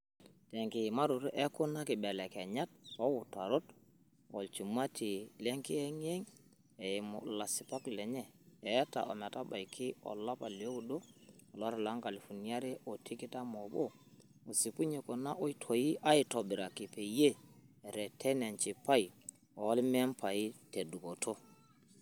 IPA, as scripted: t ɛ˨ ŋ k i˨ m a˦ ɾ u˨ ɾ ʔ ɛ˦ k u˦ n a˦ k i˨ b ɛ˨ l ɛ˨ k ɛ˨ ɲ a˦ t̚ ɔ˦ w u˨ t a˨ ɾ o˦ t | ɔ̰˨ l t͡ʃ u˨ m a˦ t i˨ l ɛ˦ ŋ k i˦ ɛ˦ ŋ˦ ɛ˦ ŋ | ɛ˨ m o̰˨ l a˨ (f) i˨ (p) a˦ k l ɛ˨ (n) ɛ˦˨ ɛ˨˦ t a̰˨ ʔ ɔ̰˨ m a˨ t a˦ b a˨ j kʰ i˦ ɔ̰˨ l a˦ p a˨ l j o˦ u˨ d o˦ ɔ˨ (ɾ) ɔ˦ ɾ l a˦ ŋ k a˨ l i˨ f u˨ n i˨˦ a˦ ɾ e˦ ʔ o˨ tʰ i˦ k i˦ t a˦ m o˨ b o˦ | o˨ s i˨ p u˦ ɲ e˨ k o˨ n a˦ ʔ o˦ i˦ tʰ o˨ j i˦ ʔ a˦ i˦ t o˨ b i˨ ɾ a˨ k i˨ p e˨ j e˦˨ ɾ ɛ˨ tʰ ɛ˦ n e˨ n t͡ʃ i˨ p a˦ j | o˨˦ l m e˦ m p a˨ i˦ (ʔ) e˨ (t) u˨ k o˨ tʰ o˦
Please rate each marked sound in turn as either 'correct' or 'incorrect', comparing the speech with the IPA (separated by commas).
incorrect, correct, incorrect, incorrect, incorrect, incorrect